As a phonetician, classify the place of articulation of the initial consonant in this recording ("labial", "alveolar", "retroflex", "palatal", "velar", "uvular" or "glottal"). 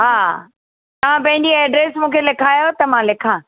glottal